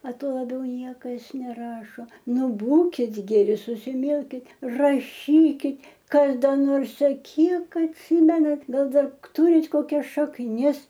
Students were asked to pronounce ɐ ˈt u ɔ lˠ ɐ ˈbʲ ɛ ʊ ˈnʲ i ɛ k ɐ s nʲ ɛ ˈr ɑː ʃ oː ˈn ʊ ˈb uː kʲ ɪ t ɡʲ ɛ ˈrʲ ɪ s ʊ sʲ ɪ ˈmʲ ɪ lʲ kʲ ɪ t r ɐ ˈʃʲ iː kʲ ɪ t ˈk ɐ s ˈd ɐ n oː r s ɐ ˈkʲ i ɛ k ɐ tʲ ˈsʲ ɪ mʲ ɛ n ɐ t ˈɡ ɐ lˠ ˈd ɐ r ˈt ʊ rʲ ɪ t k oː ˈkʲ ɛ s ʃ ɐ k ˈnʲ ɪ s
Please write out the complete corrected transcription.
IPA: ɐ ˈt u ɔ lˠ ɐ ˈbʲ ɛ ʊ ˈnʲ i ɛ k ɐ s nʲ ɛ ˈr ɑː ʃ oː ˈn ʊ ˈb uː kʲ ɪ t ɡʲ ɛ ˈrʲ ɪ s ʊ sʲ ɪ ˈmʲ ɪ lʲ kʲ ɪ t r ɐ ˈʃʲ iː kʲ ɪ t ˈk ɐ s ˈd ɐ n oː r s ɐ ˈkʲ i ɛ k ɐ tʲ ˈsʲ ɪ mʲ ɛ n ɐ t ˈɡ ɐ lˠ ˈd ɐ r ˈt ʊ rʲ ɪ t k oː ˈkʲ ɛ s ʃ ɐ k ˈnʲ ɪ s

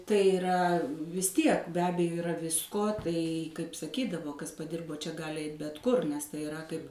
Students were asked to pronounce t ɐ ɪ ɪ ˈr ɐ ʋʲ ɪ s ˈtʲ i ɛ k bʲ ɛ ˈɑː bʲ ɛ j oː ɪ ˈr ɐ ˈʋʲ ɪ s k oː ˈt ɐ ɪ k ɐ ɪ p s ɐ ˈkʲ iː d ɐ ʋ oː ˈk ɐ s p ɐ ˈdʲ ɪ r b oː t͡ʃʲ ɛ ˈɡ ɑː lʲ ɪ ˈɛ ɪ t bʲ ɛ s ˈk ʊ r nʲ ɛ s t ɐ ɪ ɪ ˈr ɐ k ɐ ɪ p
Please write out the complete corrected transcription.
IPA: t ɐ ɪ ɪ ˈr ɐ ʋʲ ɪ s ˈtʲ i ɛ k bʲ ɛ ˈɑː bʲ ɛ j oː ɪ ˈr ɐ ˈʋʲ ɪ s k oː ˈt ɐ ɪ k ɐ ɪ p s ɐ ˈkʲ iː d ɐ ʋ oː ˈk ɐ s p ɐ ˈdʲ ɪ r b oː t͡ʃʲ ɛ ˈɡ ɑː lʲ ɪ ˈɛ ɪ t bʲ ɛ t ˈk ʊ r nʲ ɛ s t ɐ ɪ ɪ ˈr ɐ k ɐ ɪ p

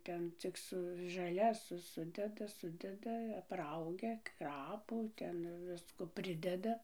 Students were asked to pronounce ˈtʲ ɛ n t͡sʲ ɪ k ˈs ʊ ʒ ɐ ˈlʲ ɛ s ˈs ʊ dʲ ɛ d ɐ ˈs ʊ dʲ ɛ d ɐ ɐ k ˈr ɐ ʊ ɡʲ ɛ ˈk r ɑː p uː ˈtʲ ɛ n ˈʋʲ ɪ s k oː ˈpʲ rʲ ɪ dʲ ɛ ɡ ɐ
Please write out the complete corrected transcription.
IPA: ˈtʲ ɛ n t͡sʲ ɪ k ˈs ʊ ʒ ɐ ˈlʲ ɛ s ˈs ʊ dʲ ɛ d ɐ ˈs ʊ dʲ ɛ d ɐ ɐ p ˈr ɐ ʊ ɡʲ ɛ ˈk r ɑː p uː ˈtʲ ɛ n ˈʋʲ ɪ s k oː ˈpʲ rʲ ɪ dʲ ɛ d ɐ

